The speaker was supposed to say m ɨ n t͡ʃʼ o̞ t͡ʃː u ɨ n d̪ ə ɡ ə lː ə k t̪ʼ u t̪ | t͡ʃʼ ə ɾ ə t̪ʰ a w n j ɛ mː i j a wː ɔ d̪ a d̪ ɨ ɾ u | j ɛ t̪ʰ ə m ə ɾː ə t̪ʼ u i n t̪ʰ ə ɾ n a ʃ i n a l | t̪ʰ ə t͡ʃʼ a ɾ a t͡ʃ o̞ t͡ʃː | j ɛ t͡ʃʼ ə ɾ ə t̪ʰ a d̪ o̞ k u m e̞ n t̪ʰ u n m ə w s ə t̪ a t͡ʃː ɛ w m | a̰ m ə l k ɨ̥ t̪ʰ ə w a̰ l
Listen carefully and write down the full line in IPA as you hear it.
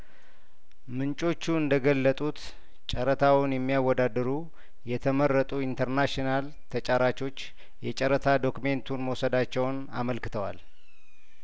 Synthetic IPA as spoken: m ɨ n t͡ʃʼ o̞ t͡ʃː u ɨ n d̪ ə ɡ ə lː ə t̪ʼ u t̪ | t͡ʃʼ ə ɾ ə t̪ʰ a w n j ɛ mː i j a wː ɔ d̪ a d̪ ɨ ɾ u | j ɛ t̪ʰ ə m ə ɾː ə t̪ʼ u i n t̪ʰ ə ɾ n a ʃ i n a l | t̪ʰ ə t͡ʃʼ a ɾ a t͡ʃ o̞ t͡ʃː | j ɛ t͡ʃʼ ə ɾ ə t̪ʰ a d̪ o̞ k u m e̞ n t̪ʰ u n m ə w s ə d̪ a t͡ʃː ɛ w n | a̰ m ə l k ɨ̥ t̪ʰ ə w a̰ l